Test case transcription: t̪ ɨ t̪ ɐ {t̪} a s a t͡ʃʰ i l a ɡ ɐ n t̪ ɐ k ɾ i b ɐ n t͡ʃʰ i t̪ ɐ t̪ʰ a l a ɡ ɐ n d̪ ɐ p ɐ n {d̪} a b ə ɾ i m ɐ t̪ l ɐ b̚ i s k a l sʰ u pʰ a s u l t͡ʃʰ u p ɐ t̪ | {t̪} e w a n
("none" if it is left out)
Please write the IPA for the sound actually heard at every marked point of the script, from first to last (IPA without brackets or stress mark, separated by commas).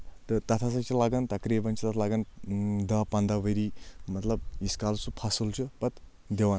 t̪ʰ, d̪, d̪